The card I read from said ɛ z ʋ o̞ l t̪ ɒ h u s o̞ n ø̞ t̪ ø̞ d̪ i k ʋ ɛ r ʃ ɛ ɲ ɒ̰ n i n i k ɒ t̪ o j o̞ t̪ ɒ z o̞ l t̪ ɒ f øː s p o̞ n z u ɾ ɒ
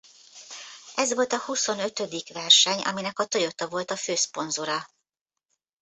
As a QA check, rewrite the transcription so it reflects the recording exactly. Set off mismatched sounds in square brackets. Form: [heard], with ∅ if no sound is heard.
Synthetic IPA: ɛ z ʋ o̞ l t̪ ɒ h u s o̞ n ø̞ t̪ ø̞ d̪ i k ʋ ɛ r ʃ ɛ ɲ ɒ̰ [m] i n [ɛ] k ɒ t̪ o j o̞ t̪ ɒ [v] o̞ l t̪ ɒ f øː s p o̞ n z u ɾ ɒ